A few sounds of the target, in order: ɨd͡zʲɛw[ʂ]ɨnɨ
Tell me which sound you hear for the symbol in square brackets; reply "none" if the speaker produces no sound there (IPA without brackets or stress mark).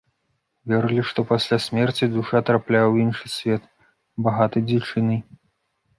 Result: t͡ʂ